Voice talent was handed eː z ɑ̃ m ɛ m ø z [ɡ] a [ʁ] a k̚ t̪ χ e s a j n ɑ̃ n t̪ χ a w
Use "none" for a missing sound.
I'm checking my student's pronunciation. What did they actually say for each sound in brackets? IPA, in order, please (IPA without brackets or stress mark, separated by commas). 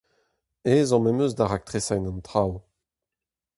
d, ʁ